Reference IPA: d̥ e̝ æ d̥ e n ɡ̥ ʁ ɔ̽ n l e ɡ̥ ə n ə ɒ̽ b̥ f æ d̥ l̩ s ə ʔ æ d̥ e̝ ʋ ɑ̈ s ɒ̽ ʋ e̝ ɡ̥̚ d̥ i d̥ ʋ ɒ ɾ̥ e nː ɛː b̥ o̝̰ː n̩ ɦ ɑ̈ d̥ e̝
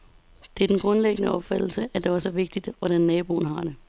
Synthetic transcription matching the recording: d̥ e̝ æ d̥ e n ɡ̥ ʁ ɔ̽ n l e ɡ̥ ə n ə ɒ̽ b̥ f æ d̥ l̩ s ə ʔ æ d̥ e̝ ʋ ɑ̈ s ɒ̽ ʋ e̝ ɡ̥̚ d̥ i d̥ ʋ ɒ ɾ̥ æ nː ɛː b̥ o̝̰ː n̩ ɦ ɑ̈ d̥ e̝